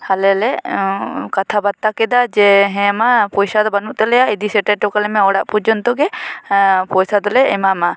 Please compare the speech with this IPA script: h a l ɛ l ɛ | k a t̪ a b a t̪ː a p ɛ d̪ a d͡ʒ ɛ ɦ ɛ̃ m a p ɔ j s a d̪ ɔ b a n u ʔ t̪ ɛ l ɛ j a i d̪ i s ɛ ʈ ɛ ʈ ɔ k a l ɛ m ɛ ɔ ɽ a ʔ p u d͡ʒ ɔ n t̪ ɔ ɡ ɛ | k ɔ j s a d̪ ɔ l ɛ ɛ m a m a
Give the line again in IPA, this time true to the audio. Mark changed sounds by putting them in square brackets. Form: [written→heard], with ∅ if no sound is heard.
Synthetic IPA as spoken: h a l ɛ l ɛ | k a [t̪→t̪ʰ] a b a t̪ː a [p→k] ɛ d̪ a d͡ʒ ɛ ɦ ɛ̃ m a p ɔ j s a d̪ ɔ b a n u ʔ t̪ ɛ l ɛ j a i d̪ i s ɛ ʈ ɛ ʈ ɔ k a l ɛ m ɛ ɔ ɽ a ʔ p u d͡ʒ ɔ n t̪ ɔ ɡ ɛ | [k→p] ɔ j s a d̪ ɔ l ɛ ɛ m a m a